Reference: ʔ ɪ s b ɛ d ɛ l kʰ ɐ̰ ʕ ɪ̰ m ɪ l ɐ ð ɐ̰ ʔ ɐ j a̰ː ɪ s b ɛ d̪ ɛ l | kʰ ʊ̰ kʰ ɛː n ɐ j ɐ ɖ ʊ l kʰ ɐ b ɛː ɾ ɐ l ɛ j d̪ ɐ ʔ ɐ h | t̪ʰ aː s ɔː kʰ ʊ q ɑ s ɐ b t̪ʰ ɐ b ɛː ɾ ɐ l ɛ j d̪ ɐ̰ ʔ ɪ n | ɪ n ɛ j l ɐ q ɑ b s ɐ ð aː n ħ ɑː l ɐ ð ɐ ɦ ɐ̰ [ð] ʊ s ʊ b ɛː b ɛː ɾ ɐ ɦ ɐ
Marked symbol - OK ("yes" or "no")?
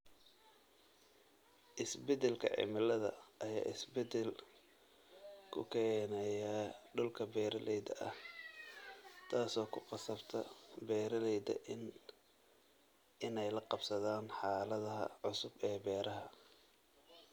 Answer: no